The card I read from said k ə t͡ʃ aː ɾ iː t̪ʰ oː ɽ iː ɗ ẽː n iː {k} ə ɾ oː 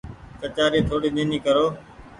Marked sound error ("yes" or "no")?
no